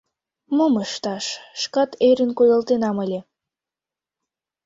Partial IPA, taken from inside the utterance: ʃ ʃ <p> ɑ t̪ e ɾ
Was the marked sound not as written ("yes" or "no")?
yes